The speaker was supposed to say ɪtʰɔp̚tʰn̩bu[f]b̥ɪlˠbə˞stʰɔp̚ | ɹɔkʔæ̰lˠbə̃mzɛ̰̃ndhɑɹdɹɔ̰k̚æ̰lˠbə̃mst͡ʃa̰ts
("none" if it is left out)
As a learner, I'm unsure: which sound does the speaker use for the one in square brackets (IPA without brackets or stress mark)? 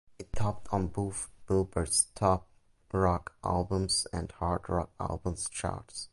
f